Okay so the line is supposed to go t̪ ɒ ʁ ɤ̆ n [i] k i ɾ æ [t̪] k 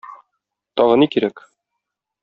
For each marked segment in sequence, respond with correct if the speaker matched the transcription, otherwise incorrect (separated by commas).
correct, incorrect